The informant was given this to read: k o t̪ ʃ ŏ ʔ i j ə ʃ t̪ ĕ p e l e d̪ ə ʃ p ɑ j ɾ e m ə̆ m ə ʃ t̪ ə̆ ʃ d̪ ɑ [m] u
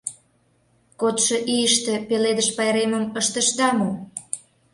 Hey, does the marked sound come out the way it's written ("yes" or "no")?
yes